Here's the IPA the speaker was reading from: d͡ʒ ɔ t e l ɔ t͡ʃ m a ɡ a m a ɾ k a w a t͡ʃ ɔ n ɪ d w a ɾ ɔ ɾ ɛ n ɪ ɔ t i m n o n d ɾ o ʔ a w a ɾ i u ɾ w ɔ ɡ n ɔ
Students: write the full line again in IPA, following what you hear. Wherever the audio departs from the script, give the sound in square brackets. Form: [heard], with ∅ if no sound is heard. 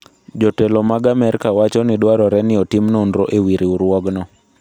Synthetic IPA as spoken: d͡ʒ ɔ t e l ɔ [∅] m a ɡ a m [ɛ] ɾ k a w a t͡ʃ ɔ n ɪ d w a ɾ ɔ ɾ ɛ n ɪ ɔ t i m n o n d ɾ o ʔ [e] w [i] ɾ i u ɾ w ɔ ɡ n ɔ